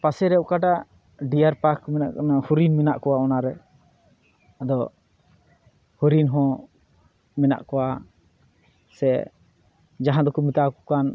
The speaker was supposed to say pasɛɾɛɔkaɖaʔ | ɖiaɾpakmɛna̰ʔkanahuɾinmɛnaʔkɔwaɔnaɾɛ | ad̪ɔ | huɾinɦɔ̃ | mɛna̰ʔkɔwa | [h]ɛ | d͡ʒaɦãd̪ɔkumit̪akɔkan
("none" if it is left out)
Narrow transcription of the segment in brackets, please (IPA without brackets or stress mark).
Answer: s